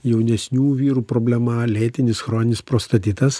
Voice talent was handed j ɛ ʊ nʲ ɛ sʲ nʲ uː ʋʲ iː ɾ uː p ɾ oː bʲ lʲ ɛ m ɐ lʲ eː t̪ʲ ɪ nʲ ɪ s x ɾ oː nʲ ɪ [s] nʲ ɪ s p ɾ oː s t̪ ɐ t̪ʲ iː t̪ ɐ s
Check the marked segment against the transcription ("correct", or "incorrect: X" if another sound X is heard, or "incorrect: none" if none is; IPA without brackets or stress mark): incorrect: none